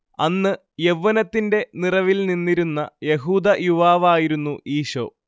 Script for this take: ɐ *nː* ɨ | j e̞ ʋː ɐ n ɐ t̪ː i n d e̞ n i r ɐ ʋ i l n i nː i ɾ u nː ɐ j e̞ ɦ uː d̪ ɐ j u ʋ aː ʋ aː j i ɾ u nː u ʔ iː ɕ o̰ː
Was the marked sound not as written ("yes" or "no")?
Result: no